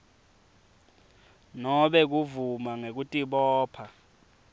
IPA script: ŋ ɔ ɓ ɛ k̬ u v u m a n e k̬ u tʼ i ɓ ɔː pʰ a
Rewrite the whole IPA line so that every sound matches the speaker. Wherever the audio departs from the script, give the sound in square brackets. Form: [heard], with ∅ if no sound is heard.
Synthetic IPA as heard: [n] ɔ ɓ ɛ k̬ u v u m a [ŋ] e k̬ u tʼ i ɓ ɔː pʰ a